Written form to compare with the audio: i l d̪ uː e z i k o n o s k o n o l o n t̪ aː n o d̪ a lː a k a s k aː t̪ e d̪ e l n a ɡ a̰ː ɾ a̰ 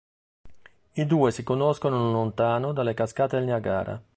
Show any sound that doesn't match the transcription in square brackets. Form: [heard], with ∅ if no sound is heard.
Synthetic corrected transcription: i [∅] d̪ uː e [s] i k o n o s k o n o l o n t̪ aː n o d̪ a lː [e] k a s k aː t̪ e d̪ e l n a ɡ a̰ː ɾ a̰

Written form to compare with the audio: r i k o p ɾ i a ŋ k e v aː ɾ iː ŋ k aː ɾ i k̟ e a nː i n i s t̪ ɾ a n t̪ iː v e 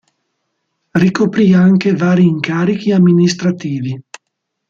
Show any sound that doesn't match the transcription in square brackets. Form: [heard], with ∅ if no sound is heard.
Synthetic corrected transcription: r i k o p ɾ i a ŋ k e v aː ɾ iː ŋ k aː ɾ i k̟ [i] a [mː] i n i s t̪ ɾ a [∅] t̪ iː v [i]

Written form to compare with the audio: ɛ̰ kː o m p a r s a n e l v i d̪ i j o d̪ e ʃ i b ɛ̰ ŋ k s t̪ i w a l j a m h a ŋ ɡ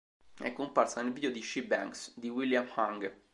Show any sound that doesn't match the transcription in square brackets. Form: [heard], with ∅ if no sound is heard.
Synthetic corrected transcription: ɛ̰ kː o m p a r s a n e l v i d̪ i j o d̪ [i] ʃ i b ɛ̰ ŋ k s [d̪] i w [i] l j a m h a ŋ ɡ

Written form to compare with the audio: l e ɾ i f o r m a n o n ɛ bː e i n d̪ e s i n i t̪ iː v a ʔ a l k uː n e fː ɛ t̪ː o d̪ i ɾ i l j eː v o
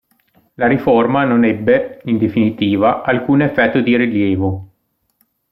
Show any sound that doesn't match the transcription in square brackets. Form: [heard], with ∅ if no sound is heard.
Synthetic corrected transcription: l [a] ɾ i f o r m a n o n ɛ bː e i n d̪ e [f] i n i t̪ iː v a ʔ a l k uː n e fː ɛ t̪ː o d̪ i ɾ i l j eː v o

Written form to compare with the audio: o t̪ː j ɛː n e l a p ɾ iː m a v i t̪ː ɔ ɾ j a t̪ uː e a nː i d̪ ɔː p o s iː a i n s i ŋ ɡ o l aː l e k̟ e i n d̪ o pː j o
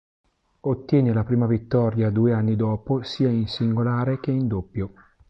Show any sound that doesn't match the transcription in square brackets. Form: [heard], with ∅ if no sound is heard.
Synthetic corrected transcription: o t̪ː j ɛː n e l a p ɾ iː m a v i t̪ː ɔ ɾ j a [d̪] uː e a nː i d̪ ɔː p o s iː a i n s i ŋ ɡ o l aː [ɾ] e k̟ e i n d̪ o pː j o

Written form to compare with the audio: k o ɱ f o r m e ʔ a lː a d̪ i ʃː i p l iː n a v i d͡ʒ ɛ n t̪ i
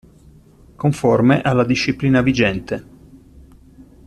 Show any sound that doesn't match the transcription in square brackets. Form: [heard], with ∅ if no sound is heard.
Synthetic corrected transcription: k o ɱ f o r m e ʔ a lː a d̪ i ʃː i p l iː n a v i d͡ʒ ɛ n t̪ [e]

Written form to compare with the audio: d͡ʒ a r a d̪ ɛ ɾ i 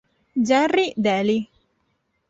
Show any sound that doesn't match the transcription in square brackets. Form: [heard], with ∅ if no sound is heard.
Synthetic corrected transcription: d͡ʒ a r [i] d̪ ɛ [l] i

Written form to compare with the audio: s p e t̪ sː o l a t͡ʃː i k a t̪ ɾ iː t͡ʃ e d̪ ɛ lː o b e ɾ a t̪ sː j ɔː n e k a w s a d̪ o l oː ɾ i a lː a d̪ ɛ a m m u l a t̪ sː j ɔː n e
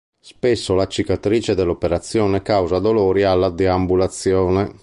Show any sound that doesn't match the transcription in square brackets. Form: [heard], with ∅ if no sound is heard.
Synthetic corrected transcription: s p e [∅] sː o l a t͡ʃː i k a t̪ ɾ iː t͡ʃ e d̪ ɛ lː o [p] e ɾ a t̪ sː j ɔː n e k a w [z] a d̪ o l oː ɾ i a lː a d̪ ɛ a m [b] u l a t̪ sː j ɔː n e

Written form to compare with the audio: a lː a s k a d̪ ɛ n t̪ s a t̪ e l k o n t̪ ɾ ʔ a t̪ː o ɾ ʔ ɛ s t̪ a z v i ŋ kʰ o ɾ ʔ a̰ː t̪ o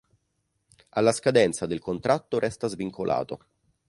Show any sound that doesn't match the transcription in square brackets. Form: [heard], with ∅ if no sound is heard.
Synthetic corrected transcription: a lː a s k a d̪ ɛ n t̪ s a [d̪] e l k o n t̪ ɾ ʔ a t̪ː o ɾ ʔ ɛ s t̪ a z v i ŋ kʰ o [l] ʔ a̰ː t̪ o

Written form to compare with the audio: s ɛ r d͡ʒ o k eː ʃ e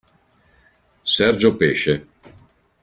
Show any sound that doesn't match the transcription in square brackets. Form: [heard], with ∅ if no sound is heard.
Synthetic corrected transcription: s ɛ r d͡ʒ o [p] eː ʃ e

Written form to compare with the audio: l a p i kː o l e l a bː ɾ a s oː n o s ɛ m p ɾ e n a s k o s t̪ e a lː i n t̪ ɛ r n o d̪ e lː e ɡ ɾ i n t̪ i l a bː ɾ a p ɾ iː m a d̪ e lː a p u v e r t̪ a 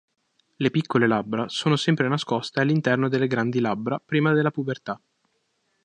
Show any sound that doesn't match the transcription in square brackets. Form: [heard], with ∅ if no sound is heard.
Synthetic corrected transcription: l [e] p i kː o l e l a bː ɾ a s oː n o s ɛ m p ɾ e n a s k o s t̪ e a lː i n t̪ ɛ r n o d̪ e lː e ɡ ɾ [a] n [d̪] i l a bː ɾ a p ɾ iː m a d̪ e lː a p u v e r t̪ a

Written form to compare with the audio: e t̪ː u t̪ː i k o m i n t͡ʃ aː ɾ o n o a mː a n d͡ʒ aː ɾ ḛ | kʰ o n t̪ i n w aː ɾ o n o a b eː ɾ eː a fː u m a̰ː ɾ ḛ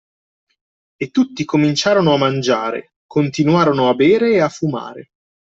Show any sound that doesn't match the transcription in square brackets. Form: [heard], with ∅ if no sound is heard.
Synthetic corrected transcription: e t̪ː u t̪ː i k o m i n t͡ʃ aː ɾ o n o a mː a n d͡ʒ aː ɾ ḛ | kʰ o n t̪ i n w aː ɾ o n o a b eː ɾ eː a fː u m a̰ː ɾ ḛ

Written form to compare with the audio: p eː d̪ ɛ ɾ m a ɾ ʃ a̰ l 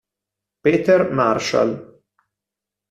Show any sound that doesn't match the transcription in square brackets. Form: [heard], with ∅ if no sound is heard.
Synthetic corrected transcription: p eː [t̪] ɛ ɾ m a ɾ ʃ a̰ l

